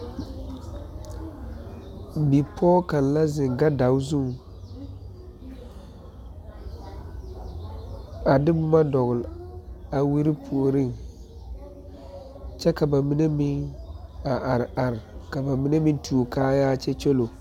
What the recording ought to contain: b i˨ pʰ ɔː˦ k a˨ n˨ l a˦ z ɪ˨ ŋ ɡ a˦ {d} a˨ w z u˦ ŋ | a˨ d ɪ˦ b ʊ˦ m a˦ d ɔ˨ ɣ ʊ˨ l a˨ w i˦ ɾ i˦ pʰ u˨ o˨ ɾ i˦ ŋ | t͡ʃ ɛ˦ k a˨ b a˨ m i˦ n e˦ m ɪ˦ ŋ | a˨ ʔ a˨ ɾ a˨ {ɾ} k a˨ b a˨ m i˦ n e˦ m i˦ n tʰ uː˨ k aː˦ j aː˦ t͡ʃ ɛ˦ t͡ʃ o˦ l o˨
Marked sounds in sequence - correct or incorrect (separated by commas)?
correct, correct